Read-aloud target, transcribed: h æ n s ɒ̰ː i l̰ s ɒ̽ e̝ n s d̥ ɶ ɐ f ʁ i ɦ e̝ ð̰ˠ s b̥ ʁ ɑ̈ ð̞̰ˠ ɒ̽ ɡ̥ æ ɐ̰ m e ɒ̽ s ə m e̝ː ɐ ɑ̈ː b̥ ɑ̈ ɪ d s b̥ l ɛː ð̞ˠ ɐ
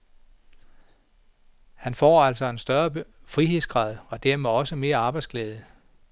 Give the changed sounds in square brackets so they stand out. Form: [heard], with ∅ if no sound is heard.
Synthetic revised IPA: h æ n [f] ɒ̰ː [æ] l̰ s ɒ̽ e̝ n s d̥ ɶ ɐ f ʁ i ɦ e̝ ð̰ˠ s [ɡ̥] ʁ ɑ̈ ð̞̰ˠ ɒ̽ [d̥] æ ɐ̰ m e ɒ̽ s ə m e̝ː ɐ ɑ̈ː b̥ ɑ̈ ɪ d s [ɡ̥] l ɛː ð̞ˠ [ə]